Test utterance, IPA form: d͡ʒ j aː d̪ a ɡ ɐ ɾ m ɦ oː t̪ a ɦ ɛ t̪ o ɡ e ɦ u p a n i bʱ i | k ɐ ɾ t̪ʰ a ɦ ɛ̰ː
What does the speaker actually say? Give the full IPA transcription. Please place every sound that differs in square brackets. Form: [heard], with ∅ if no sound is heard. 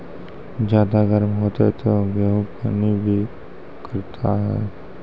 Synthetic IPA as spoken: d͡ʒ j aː d̪ a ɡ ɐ ɾ m ɦ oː t̪ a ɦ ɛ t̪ o ɡ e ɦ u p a n i bʱ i | k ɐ ɾ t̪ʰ a ɦ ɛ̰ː